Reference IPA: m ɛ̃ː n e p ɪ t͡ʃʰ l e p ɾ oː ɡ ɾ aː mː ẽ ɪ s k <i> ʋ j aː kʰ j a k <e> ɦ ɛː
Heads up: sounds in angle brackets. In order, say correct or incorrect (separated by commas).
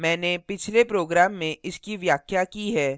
correct, incorrect